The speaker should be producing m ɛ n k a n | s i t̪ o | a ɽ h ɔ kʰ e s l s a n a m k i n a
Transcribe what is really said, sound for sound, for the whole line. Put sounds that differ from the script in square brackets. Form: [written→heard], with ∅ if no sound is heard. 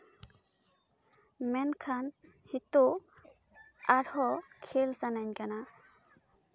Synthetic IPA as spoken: m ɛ n [k→kʰ] a n | [s→h] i t̪ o | a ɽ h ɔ kʰ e [s→∅] l s a n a [m→ɲ] k [i→a] n a

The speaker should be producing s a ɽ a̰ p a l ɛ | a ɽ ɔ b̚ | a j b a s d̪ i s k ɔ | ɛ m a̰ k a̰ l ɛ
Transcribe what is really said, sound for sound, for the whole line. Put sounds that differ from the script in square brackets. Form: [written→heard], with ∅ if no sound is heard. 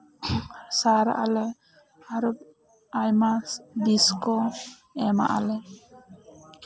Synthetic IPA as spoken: s a [ɽ→ɾ] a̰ [p→ʔ] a l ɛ | a [ɽ→ɾ] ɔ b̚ | a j [b→m] a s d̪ i s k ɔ | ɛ m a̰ [k→ʔ] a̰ l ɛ

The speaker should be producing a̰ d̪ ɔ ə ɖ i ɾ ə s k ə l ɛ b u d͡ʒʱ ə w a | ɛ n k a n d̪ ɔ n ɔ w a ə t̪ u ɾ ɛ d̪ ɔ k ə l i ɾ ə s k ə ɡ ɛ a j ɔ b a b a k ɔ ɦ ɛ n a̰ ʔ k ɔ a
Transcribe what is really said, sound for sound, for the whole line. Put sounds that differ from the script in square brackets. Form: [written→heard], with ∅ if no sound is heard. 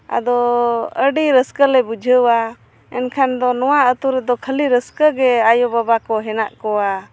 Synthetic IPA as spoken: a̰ d̪ ɔ ə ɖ i ɾ ə s k ə l ɛ b u d͡ʒʱ ə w a | ɛ n [k→kʰ] a n d̪ ɔ n ɔ w a ə t̪ u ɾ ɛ d̪ ɔ [k→kʰ] ə l i ɾ ə s k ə ɡ ɛ a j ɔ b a b a k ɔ ɦ ɛ n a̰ ʔ k ɔ a

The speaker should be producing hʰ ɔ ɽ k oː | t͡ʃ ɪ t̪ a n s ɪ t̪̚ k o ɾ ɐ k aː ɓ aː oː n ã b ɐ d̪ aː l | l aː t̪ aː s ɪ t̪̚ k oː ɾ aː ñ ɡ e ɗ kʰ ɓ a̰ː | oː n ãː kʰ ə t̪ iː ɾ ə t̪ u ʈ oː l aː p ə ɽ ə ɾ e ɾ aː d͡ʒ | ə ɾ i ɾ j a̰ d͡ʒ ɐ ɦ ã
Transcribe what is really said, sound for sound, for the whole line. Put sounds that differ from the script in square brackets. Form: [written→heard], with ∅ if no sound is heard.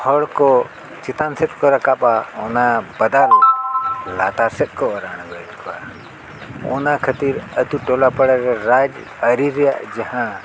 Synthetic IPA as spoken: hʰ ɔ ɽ k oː | t͡ʃ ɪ t̪ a n s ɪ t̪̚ k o ɾ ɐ k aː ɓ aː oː n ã b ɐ d̪ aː l | l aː t̪ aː s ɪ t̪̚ k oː ɾ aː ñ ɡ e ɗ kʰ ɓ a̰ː | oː n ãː kʰ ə t̪ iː ɾ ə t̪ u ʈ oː l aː p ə ɽ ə ɾ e ɾ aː d͡ʒ | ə ɾ i ɾ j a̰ d͡ʒ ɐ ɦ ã

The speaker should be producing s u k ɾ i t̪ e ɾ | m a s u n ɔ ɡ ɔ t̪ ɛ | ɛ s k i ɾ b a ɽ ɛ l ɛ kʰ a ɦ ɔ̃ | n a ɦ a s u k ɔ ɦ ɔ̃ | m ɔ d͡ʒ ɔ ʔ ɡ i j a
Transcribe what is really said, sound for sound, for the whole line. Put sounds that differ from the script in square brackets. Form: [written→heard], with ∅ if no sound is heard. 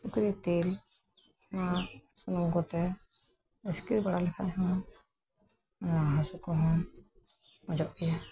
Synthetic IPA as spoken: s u k ɾ i t̪ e [ɾ→l] | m a s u n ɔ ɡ ɔ t̪ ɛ | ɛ s k i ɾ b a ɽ [ɛ→a] l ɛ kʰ a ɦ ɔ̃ | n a ɦ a s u k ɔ ɦ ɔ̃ | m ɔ d͡ʒ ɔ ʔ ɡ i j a

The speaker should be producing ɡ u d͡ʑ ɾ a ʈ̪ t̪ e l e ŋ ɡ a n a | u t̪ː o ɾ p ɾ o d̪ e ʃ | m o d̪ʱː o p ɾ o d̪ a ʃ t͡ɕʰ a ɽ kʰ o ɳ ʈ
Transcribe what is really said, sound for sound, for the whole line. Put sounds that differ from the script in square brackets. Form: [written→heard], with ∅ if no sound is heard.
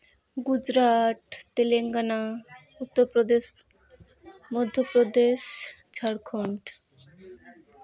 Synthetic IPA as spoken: ɡ u d͡ʑ ɾ a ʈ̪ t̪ e l e ŋ ɡ a n a | u t̪ː o ɾ p ɾ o d̪ e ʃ | m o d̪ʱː o p ɾ o d̪ [a→e] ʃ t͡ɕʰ a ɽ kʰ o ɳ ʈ

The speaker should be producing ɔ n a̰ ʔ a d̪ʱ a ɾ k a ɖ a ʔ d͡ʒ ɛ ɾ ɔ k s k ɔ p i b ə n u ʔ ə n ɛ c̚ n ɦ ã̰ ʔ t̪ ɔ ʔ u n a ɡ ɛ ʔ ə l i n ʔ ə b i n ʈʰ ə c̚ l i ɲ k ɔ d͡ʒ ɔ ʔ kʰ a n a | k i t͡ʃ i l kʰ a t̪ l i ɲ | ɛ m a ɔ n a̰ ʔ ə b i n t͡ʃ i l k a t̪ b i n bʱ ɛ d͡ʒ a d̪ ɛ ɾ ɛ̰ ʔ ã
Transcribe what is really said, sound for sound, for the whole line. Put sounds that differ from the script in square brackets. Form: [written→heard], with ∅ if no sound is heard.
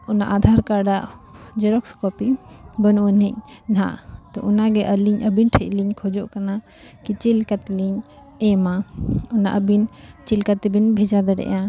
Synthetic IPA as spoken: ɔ n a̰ ʔ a d̪ʱ a ɾ k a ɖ a ʔ d͡ʒ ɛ ɾ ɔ k s k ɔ p i b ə n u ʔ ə n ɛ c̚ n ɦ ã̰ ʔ t̪ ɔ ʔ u n a ɡ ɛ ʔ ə l i [n→ɲ] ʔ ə b i n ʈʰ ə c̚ l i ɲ [k→kʰ] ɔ d͡ʒ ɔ ʔ [kʰ→k] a n a | k i t͡ʃ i l [kʰ→k] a t̪ l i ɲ | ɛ m a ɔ n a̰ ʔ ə b i n t͡ʃ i l k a t̪ b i n bʱ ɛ d͡ʒ a d̪ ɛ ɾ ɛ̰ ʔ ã

